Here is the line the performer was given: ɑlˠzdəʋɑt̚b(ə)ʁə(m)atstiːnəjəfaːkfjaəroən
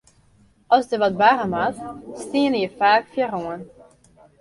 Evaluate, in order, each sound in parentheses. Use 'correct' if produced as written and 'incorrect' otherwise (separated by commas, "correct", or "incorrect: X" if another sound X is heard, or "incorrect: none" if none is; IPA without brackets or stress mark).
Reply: incorrect: a, correct